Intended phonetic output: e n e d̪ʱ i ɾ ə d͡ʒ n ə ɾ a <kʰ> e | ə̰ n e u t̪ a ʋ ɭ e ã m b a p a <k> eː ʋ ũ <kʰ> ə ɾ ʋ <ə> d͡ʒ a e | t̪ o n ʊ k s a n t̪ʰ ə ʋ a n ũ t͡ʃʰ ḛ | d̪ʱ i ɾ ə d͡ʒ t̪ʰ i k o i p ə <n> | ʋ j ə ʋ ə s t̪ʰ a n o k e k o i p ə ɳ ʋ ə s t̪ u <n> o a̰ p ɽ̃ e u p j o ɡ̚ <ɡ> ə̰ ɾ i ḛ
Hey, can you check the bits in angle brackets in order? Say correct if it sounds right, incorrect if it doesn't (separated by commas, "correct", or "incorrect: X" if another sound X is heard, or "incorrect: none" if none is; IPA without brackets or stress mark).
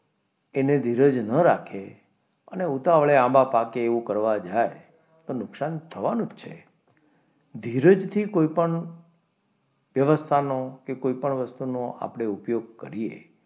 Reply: correct, correct, incorrect: k, incorrect: a, incorrect: ɳ, correct, incorrect: k